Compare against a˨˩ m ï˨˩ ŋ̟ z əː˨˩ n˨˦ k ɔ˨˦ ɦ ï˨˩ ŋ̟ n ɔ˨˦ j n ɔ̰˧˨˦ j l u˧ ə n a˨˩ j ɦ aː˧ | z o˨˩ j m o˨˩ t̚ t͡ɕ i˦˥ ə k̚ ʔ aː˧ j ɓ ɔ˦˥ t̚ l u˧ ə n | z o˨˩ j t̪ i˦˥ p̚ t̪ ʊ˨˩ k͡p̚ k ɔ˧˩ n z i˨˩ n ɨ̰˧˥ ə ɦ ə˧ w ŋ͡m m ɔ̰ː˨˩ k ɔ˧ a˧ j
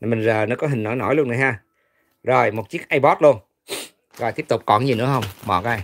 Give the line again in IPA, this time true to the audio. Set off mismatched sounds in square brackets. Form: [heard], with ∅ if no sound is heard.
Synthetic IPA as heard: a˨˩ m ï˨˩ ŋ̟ z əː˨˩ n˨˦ k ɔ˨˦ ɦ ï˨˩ ŋ̟ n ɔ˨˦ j n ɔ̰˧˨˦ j l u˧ ə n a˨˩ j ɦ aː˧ | z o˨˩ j m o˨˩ t̚ t͡ɕ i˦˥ ə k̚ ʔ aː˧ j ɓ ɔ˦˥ t̚ l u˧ ə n | z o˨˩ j t̪ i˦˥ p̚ t̪ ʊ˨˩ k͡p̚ k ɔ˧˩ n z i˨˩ n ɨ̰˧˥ ə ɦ ə˧ w ŋ͡m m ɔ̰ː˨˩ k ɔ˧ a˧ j

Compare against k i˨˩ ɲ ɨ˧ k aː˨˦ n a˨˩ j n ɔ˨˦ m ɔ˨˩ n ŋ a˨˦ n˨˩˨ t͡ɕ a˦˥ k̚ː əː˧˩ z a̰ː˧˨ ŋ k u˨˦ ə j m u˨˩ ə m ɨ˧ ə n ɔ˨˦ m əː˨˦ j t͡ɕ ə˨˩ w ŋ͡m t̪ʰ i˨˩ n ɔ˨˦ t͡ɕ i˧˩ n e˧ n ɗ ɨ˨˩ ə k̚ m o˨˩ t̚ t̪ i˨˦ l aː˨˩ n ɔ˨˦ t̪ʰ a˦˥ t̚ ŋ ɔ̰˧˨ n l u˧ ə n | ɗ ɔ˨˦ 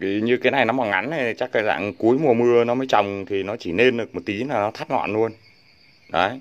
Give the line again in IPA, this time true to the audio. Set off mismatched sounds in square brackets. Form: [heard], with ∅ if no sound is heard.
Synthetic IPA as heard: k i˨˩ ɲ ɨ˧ k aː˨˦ n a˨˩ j n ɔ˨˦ m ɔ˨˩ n ŋ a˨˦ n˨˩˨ t͡ɕ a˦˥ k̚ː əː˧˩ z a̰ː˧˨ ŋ k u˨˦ ə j m u˨˩ ə m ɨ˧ ə n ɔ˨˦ m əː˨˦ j t͡ɕ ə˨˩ w ŋ͡m t̪ʰ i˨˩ n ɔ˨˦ t͡ɕ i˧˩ n e˧ n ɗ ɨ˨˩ ə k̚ m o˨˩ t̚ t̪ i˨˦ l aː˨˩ n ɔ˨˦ t̪ʰ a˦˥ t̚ ŋ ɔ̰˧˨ n l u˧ ə n | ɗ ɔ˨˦

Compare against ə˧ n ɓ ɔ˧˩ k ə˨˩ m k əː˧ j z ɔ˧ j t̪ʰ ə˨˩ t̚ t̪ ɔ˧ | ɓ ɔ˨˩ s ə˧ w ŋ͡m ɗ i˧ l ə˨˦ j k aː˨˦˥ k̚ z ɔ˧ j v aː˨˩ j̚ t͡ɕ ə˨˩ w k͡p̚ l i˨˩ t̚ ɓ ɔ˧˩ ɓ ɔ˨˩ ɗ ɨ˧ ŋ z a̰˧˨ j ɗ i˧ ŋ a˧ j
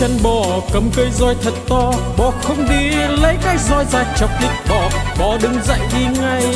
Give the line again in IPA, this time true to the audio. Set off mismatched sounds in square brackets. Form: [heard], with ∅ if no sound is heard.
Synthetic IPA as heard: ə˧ n ɓ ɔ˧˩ k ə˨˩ m k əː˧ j z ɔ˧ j t̪ʰ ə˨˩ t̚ t̪ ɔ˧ | ɓ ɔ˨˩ [x] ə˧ w ŋ͡m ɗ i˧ l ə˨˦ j k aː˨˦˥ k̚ z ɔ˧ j [z] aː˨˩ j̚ t͡ɕ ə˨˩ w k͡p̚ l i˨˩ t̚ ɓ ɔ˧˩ ɓ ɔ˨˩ ɗ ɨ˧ ŋ z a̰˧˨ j ɗ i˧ ŋ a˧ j

